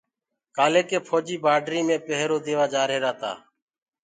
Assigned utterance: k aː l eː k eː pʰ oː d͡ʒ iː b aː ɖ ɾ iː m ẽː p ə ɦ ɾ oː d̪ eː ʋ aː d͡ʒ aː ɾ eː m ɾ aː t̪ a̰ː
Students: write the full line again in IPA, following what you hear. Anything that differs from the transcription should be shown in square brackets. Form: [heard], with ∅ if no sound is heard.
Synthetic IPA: k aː l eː k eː pʰ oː d͡ʒ iː b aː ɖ ɾ iː m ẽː p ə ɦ ɾ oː d̪ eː ʋ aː d͡ʒ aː ɾ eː [∅] ɾ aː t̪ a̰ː